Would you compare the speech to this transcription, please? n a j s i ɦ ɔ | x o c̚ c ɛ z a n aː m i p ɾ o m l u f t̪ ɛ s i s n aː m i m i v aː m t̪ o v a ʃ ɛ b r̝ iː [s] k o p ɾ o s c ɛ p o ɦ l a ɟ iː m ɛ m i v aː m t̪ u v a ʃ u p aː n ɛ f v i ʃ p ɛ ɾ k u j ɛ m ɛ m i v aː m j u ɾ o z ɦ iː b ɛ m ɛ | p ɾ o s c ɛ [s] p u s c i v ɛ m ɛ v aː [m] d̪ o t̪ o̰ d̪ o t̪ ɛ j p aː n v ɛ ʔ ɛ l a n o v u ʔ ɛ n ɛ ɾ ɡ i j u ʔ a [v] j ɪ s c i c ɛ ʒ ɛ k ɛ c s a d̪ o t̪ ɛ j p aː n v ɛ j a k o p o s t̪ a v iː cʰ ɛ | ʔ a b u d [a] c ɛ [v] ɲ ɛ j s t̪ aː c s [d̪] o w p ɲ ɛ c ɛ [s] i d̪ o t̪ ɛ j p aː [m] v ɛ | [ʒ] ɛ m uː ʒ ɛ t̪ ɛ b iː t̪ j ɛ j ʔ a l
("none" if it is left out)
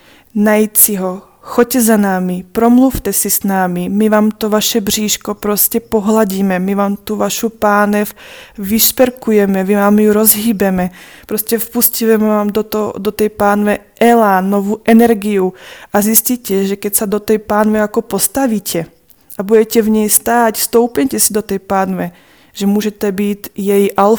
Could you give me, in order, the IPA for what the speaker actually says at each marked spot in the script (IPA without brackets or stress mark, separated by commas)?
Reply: ʃ, f, m, z, ɛ, v, t̪, s, n, ʒ